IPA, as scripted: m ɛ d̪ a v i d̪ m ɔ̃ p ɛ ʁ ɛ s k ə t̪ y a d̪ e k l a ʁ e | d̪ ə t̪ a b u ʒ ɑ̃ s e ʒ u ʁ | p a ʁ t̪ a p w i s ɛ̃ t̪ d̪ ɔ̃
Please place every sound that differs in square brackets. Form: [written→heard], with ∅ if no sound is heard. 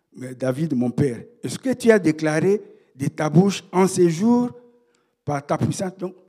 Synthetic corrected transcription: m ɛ d̪ a v i d̪ m ɔ̃ p ɛ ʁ ɛ s k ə t̪ y a d̪ e k l a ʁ e | d̪ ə t̪ a b u [ʒ→ʃ] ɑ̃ s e ʒ u ʁ | p a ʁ t̪ a p w i s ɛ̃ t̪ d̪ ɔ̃